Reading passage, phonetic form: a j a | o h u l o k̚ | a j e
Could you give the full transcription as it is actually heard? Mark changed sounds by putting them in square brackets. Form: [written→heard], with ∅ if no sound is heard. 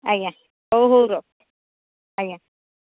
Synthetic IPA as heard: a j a | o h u [l→ɾ] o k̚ | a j [e→a]